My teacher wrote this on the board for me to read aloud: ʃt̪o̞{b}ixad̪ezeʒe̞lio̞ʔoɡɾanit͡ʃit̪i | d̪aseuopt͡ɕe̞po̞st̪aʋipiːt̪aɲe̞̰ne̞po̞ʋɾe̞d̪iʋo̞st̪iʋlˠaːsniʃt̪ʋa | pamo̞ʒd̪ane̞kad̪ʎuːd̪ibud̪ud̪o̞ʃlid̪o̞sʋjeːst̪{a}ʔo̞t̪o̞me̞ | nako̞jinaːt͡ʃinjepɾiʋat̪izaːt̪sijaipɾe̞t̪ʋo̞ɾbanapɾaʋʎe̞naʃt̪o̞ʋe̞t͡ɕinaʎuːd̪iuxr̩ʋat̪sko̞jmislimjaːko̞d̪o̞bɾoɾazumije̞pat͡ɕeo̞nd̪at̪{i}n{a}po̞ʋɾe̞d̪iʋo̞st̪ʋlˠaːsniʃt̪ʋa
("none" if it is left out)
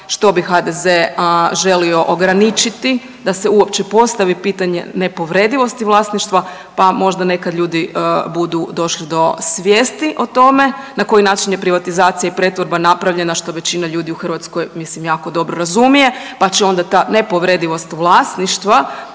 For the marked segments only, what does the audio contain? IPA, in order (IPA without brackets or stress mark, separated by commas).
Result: b, i, a, e